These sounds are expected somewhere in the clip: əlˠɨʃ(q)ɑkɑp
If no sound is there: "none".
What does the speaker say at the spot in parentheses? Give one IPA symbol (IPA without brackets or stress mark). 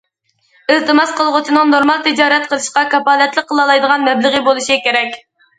q